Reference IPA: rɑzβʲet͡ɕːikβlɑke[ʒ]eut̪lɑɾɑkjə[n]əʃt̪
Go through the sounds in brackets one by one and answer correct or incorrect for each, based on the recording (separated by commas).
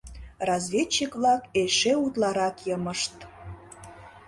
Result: incorrect, incorrect